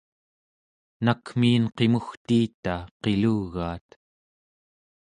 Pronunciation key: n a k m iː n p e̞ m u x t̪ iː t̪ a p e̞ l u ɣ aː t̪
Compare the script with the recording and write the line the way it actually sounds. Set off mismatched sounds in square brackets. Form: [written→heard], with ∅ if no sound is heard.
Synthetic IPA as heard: n a k m iː n [p→q] e̞ m u x t̪ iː t̪ a [p→q] e̞ l u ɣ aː t̪

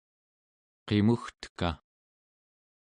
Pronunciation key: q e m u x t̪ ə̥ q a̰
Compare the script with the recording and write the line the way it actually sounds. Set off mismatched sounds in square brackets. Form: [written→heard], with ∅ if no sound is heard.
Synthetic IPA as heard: q e m u x t̪ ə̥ [q→k] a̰

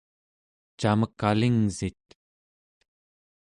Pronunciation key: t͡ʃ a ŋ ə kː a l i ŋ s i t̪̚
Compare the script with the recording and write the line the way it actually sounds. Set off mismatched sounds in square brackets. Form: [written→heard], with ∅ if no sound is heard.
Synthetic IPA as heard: t͡ʃ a [ŋ→m] ə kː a l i ŋ [s→z] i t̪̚

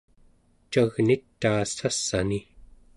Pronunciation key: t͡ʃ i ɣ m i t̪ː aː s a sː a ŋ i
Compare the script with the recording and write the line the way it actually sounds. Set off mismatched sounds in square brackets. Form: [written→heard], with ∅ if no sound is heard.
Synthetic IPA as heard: t͡ʃ [i→a] ɣ [m→n] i t̪ː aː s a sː a [ŋ→n] i

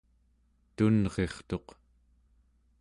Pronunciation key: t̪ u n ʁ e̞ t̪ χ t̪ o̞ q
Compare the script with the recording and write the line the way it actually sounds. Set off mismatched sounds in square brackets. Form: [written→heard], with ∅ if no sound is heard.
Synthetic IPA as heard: t̪ u n ʁ e̞ [t̪→∅] χ t̪ o̞ q

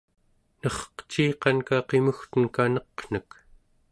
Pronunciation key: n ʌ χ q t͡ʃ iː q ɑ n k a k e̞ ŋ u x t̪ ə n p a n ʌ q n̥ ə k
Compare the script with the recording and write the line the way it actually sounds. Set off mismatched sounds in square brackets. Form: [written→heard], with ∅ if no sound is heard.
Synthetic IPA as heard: n ʌ χ q t͡ʃ iː q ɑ n k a [k→q] e̞ [ŋ→m] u x t̪ ə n [p→k] a n ʌ q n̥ ə k

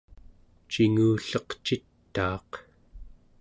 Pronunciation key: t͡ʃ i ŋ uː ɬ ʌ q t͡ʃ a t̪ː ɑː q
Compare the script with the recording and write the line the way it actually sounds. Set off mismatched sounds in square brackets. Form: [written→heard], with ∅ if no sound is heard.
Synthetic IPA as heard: t͡ʃ i ŋ uː ɬ ʌ q t͡ʃ [a→i] t̪ː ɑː q

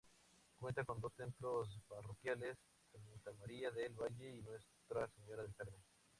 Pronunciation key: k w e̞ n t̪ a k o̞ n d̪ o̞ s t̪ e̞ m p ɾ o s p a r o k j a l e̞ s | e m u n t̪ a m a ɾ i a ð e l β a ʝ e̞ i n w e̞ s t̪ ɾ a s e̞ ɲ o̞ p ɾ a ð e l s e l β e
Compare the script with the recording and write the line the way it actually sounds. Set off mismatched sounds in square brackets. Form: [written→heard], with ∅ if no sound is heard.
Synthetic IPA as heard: k w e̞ n t̪ a k o̞ n d̪ o̞ s t̪ e̞ m p [ɾ→l] o s p a r o k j a l e̞ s | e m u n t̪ a m a ɾ i a ð e l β a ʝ e̞ i n w e̞ s t̪ ɾ a s e̞ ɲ o̞ [p→∅] ɾ a ð e l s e [l→ɾ] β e

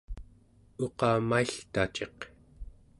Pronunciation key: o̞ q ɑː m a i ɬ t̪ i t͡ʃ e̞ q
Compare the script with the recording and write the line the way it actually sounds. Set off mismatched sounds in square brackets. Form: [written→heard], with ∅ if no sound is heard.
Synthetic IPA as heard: o̞ q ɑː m a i ɬ t̪ [i→a] t͡ʃ e̞ q

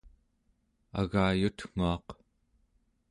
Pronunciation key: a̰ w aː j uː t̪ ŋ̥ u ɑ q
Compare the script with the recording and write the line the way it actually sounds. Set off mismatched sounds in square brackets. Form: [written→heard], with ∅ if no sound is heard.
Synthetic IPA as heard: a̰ [w→ɣ] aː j [uː→u] t̪ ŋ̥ u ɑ q

